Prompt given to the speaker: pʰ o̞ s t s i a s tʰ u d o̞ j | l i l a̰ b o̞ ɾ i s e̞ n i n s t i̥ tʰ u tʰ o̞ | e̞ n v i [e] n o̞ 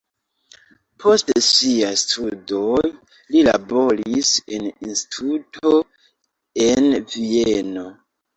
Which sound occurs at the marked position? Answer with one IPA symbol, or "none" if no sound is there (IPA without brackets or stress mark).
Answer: e